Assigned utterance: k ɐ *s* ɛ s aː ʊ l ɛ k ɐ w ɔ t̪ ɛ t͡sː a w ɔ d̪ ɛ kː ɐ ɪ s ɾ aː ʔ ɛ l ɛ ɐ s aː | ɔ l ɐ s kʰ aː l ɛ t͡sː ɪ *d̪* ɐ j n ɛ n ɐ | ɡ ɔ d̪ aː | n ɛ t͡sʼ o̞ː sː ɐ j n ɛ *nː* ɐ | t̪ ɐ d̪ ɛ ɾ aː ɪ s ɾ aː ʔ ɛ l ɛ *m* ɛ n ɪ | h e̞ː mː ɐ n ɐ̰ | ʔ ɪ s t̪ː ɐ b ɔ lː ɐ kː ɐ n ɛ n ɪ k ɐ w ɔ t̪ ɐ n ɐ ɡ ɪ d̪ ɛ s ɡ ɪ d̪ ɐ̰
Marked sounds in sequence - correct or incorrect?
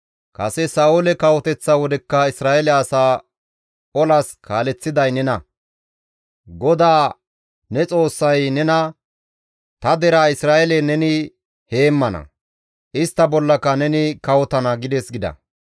correct, correct, incorrect: n, incorrect: n

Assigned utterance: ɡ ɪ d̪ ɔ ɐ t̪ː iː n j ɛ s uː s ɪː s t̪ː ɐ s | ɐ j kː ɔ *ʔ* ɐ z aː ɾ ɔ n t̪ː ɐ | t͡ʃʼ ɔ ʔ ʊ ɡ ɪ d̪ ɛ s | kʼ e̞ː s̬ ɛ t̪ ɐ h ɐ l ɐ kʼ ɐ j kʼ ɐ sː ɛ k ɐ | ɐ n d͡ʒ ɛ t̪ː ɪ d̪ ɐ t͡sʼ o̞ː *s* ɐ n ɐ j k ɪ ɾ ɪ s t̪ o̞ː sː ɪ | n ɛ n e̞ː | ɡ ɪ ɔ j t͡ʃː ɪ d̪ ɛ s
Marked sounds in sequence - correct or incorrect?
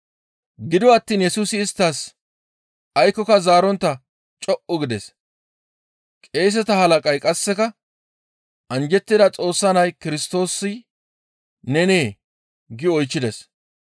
incorrect: k, incorrect: sː

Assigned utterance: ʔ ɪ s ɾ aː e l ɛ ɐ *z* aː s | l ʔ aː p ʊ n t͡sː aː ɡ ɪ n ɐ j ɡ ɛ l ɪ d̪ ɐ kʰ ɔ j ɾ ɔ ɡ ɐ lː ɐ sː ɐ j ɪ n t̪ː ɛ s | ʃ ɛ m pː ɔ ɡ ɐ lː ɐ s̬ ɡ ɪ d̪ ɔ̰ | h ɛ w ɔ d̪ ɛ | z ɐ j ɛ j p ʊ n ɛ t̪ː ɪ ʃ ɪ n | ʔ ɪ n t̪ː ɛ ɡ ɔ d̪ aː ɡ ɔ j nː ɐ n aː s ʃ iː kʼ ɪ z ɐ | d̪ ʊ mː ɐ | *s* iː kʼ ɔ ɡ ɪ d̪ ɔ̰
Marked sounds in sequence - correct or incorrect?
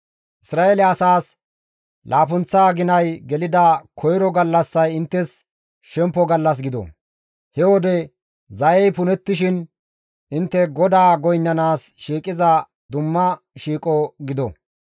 incorrect: s, incorrect: ʃ

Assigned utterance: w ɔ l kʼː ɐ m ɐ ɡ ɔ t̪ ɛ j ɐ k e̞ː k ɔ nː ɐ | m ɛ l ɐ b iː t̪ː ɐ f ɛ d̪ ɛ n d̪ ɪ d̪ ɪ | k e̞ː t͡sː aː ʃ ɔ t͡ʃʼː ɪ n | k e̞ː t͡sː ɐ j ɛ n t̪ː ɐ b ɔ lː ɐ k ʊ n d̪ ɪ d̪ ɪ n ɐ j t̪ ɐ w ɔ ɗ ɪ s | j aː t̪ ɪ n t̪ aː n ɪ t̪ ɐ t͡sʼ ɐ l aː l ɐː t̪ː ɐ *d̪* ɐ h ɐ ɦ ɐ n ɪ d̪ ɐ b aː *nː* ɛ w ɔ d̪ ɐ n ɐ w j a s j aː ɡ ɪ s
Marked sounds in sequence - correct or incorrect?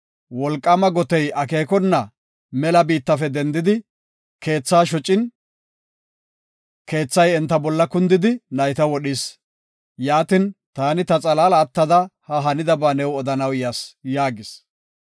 correct, incorrect: n

